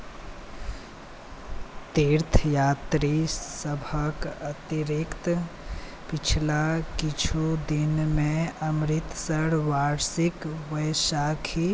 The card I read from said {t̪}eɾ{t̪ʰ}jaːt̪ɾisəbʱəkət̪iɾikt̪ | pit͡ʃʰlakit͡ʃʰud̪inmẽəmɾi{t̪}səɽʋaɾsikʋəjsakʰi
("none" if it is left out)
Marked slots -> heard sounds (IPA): t̪, t̪ʰ, t̪

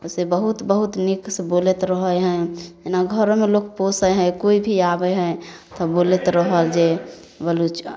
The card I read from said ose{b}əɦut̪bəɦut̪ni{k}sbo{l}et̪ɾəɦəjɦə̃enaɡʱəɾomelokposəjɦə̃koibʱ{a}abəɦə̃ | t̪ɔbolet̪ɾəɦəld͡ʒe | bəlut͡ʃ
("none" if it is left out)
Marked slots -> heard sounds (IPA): b, k, l, i

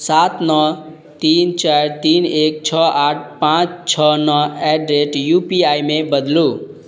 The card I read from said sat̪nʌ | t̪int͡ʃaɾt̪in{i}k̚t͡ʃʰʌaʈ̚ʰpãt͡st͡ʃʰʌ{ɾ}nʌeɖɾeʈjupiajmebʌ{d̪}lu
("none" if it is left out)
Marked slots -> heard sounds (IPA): e, none, d̪

